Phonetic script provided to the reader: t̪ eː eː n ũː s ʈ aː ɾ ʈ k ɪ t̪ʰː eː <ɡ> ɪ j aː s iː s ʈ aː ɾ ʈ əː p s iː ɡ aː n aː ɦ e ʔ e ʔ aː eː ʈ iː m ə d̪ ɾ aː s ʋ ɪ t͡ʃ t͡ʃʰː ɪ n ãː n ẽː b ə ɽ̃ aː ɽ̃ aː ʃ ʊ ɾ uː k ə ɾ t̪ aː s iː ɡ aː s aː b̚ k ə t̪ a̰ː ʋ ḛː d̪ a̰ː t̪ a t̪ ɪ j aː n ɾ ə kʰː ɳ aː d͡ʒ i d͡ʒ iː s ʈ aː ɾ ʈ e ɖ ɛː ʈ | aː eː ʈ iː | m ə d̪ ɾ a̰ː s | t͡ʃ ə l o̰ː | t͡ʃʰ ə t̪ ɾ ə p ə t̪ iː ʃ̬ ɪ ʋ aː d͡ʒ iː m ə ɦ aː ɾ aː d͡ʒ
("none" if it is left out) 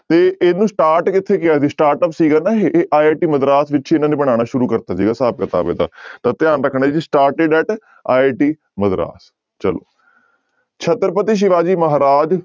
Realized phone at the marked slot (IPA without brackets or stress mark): k